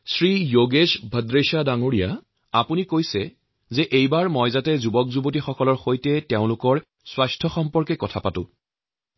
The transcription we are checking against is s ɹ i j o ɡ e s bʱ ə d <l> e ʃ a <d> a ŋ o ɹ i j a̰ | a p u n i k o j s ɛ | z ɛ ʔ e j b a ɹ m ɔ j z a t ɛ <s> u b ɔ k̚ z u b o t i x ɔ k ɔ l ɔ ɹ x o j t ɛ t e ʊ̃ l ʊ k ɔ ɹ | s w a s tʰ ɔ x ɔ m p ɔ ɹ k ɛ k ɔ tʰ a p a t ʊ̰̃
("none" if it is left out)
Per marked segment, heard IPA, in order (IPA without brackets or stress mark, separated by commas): ɹ, d, z